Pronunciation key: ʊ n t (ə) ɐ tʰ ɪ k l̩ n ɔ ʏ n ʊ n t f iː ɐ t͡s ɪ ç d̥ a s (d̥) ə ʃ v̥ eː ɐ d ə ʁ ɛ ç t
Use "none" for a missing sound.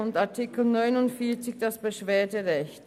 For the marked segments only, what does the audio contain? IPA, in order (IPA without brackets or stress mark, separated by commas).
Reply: a, b̥